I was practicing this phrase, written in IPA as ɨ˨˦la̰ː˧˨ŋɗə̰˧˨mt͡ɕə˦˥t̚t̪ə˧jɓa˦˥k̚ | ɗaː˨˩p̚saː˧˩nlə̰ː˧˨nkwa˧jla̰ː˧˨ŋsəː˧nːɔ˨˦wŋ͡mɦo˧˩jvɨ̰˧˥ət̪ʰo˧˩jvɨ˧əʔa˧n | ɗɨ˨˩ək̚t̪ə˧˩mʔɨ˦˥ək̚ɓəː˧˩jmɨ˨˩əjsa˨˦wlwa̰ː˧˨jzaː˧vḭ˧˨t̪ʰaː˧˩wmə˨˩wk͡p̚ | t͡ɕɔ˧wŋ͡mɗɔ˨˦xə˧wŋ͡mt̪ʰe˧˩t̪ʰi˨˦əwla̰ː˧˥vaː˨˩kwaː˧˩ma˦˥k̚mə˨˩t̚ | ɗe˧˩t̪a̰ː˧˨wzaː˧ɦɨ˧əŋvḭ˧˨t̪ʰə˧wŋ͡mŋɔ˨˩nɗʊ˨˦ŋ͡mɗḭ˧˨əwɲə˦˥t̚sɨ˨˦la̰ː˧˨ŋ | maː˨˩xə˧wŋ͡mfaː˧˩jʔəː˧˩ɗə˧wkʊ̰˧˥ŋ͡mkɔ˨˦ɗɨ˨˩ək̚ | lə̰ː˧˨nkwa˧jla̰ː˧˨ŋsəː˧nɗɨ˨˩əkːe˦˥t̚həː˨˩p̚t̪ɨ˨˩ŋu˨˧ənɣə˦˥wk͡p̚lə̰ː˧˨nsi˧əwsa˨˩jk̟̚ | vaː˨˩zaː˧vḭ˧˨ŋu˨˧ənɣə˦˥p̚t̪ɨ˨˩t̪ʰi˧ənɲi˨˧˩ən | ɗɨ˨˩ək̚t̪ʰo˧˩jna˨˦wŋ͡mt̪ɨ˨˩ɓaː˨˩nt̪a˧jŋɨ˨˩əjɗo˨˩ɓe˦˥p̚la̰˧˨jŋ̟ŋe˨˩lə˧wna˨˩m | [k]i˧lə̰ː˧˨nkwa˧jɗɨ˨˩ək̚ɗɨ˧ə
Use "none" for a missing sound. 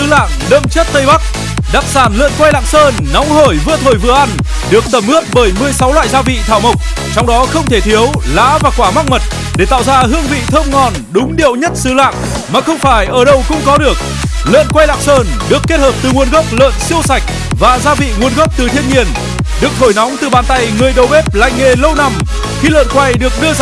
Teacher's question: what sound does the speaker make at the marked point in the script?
x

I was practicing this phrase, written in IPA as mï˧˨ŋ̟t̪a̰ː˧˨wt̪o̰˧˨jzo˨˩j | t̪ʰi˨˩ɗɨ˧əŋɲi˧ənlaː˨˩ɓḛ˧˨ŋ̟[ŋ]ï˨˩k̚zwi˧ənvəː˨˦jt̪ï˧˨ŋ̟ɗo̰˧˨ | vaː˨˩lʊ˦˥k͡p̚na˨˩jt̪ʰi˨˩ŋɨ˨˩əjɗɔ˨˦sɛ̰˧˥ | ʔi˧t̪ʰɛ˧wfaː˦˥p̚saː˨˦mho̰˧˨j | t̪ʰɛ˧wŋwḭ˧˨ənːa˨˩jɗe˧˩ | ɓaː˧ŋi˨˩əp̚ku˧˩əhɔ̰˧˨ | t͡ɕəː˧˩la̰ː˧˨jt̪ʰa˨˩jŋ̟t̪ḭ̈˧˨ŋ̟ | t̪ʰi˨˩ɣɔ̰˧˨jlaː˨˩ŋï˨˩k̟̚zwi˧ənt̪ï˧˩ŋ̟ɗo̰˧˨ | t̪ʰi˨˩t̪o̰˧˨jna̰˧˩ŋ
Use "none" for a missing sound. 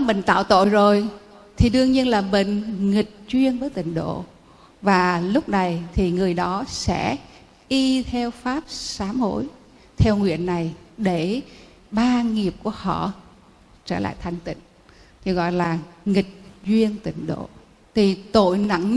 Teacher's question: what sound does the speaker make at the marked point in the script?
ŋ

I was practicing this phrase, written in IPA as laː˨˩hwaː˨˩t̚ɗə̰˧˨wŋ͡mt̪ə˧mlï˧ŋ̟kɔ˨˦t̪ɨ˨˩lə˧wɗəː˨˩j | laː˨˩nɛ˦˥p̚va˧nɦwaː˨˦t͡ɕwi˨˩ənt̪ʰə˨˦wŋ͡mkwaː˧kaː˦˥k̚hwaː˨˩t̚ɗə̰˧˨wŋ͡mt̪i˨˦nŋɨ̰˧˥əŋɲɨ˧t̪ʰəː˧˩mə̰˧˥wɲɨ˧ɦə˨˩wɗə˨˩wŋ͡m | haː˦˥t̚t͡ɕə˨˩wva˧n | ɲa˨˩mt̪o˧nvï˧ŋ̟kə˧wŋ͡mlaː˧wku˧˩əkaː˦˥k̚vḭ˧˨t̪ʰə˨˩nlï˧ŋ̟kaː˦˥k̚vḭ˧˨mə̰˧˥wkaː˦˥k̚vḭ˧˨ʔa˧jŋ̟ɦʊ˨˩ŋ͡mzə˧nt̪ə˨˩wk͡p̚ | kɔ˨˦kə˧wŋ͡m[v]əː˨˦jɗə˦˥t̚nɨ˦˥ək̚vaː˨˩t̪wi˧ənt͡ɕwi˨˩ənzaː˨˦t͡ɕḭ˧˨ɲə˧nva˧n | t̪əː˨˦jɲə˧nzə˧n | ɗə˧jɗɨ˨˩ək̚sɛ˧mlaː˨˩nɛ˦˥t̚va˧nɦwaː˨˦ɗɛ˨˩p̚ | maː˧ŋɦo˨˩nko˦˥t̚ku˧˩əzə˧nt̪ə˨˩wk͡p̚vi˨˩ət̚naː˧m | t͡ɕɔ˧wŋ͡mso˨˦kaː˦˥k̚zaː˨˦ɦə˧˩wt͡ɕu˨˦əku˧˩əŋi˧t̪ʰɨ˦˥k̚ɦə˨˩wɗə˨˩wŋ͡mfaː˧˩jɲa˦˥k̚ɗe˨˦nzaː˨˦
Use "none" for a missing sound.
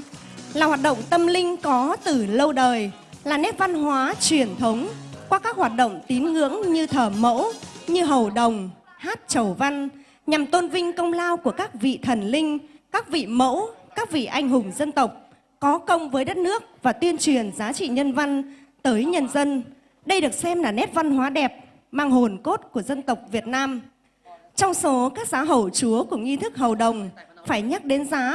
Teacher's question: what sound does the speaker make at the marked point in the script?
v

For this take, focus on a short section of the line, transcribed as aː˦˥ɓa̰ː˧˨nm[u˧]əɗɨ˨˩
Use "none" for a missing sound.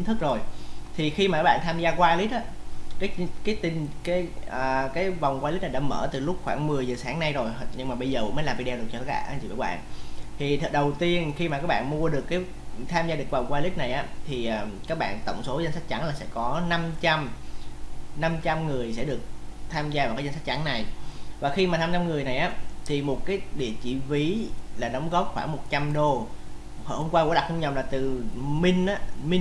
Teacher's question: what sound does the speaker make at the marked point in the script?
u˧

